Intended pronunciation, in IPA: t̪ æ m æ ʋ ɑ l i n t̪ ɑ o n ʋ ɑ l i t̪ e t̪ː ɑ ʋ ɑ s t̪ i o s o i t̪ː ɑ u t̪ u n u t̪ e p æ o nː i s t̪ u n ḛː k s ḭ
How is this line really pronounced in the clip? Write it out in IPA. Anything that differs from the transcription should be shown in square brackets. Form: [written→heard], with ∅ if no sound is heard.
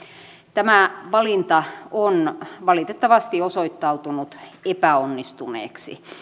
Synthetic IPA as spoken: t̪ æ m æ ʋ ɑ l i n t̪ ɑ o n ʋ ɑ l i t̪ e t̪ː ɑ ʋ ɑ s t̪ i o s o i t̪ː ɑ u t̪ u n u t̪ e p æ o nː i s t̪ u n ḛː k s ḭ